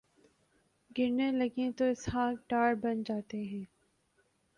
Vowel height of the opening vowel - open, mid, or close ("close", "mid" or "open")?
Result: close